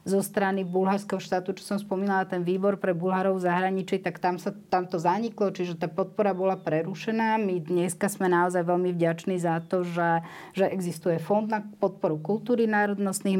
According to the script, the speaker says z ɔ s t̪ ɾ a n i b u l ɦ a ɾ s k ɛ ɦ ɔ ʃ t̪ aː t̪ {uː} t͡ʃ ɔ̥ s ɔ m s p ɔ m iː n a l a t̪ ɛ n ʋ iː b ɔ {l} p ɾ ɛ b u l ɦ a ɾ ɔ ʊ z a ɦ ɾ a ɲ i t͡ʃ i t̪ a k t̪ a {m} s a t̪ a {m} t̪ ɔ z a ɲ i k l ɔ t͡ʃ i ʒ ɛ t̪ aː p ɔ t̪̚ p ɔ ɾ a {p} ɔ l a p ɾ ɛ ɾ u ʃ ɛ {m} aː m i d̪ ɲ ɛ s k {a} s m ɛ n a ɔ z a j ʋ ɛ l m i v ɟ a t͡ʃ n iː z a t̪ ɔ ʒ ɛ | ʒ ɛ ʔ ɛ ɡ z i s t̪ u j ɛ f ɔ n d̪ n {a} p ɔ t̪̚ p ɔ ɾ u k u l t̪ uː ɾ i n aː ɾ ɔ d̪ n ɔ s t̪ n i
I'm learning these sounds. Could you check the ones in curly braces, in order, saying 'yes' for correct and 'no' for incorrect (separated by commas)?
no, no, yes, yes, no, no, yes, yes